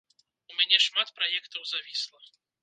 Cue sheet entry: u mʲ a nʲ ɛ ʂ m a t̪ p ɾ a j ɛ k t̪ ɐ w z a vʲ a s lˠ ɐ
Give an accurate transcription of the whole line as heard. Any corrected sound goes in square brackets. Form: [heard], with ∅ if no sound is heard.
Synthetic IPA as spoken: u mʲ a nʲ ɛ ʂ m a t̪ p ɾ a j ɛ k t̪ ɐ w z a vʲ [i] s lˠ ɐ